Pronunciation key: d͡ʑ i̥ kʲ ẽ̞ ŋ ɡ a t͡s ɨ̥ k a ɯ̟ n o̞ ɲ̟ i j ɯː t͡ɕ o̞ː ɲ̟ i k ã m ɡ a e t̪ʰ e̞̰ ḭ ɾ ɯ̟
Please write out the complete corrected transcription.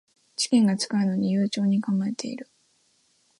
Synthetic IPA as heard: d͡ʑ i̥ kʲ ẽ̞ ŋ ɡ a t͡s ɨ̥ k a ɯ̟ n o̞ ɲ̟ i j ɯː t͡ɕ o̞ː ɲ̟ i k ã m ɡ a e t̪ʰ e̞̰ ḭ ɾ ɯ̟